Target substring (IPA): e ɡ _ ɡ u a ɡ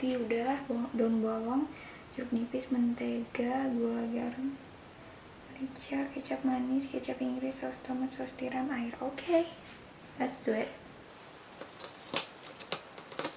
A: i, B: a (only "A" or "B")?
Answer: B